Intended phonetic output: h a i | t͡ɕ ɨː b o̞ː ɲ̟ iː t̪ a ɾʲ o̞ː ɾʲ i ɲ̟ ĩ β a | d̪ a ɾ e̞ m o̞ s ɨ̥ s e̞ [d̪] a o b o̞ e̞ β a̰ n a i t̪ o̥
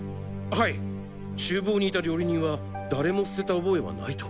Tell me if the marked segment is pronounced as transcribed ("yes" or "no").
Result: no